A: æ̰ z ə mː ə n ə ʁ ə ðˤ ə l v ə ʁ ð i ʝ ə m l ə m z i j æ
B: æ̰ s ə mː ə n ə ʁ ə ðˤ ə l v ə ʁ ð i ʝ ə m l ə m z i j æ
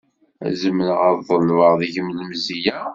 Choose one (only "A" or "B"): A